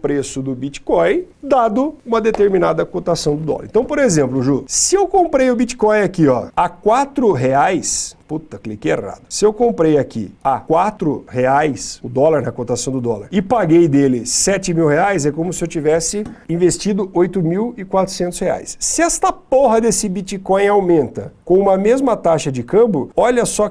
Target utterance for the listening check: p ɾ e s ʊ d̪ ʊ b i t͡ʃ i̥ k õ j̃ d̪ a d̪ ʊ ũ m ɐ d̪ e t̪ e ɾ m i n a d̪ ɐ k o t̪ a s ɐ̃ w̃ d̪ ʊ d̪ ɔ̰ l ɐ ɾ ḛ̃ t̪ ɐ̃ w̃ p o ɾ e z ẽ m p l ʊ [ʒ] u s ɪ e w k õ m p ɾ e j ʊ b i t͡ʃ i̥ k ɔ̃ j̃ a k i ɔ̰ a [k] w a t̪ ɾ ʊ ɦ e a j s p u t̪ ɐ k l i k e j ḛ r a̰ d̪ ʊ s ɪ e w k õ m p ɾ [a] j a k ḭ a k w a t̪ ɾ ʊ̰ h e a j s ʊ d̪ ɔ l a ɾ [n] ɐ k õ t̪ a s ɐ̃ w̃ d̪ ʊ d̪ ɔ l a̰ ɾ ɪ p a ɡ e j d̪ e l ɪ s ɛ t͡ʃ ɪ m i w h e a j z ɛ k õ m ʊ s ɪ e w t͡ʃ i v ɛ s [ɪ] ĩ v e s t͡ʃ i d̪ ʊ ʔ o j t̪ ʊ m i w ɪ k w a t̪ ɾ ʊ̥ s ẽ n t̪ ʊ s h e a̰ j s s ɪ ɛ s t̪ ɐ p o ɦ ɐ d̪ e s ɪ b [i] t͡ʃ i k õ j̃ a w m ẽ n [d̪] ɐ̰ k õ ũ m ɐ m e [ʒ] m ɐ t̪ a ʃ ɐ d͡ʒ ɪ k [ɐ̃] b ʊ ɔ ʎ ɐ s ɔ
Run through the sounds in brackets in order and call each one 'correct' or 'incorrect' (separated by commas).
correct, correct, incorrect, correct, correct, correct, incorrect, incorrect, correct